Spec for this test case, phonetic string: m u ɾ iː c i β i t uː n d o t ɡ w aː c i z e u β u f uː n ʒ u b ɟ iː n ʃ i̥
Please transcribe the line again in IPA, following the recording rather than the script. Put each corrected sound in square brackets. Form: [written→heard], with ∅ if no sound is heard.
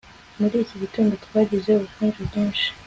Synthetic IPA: m u ɾ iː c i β i t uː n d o t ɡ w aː [c→ɟ] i z e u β u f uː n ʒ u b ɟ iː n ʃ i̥